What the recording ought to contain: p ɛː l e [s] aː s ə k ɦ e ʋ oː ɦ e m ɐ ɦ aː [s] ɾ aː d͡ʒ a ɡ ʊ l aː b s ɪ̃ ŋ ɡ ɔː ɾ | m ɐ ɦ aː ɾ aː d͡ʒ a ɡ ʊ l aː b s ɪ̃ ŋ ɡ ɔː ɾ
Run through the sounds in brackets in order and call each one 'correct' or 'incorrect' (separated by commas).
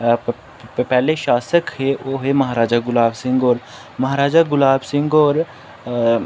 incorrect, incorrect